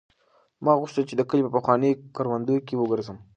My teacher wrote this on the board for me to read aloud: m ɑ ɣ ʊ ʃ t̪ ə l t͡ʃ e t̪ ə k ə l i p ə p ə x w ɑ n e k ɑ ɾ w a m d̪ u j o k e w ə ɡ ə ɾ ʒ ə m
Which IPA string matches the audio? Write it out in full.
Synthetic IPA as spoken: m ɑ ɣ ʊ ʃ t̪ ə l t͡ʃ e d̪ ə k ə l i p ə p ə x w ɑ n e k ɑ ɾ w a n d̪ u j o k e w ə ɡ ə ɾ z ə m